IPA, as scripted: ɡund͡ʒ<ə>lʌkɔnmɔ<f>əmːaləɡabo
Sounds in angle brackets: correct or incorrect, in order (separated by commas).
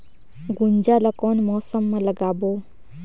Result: incorrect, incorrect